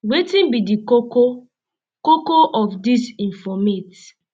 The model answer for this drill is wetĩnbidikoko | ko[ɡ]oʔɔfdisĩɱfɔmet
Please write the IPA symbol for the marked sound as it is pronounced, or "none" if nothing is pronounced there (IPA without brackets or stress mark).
k